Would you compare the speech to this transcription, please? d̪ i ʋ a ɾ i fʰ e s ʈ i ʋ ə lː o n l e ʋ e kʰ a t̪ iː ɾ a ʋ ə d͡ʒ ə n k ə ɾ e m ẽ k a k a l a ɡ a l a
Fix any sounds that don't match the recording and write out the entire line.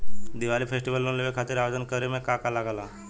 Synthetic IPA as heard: d̪ i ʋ a l i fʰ e s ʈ i ʋ ə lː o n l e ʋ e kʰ a t̪ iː ɾ a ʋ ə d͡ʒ ə n k ə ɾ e m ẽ k a k a l a ɡ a l a